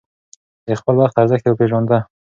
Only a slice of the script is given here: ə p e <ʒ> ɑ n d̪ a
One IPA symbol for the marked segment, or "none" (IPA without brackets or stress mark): ʒ